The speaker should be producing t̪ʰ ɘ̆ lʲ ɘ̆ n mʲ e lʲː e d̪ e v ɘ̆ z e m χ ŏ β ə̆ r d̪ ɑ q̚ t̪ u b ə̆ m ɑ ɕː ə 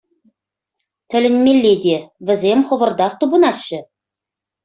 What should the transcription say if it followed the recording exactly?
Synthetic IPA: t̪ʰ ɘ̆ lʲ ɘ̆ n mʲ e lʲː e d̪ e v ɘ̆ z e m χ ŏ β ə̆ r d̪ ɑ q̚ t̪ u b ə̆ n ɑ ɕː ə